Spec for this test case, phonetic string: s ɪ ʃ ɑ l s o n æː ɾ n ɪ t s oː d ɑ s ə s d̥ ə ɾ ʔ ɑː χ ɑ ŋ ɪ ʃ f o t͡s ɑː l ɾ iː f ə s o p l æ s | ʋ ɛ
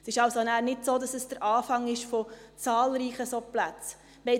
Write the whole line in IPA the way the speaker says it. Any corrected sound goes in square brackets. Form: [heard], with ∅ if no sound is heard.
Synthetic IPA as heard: s ɪ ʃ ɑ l s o n æː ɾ n ɪ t s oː d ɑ s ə s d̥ ə ɾ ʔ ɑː [f] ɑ ŋ ɪ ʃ f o t͡s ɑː l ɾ iː [χ] ə s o p l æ [t͡s] | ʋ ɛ